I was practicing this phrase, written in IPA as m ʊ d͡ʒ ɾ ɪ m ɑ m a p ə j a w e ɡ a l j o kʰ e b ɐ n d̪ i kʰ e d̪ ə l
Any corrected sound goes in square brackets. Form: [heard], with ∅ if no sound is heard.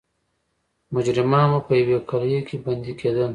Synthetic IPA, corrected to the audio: m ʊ d͡ʒ ɾ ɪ m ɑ m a p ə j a w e [k] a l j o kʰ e b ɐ n d̪ i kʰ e d̪ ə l